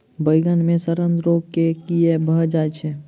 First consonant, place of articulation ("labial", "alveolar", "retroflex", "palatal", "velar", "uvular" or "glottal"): labial